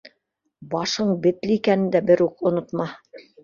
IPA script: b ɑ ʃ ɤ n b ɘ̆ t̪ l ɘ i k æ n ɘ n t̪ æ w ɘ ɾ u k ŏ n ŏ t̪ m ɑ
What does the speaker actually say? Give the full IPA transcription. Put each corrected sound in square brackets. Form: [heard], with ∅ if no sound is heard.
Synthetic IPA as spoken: b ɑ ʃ ɤ [ɴ] b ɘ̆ t̪ l ɘ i k æ n ɘ n [d̪] æ [b] ɘ ɾ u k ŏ n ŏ t̪ m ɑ